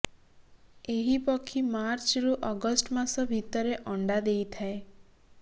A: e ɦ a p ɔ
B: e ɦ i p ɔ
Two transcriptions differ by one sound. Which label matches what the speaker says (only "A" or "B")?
B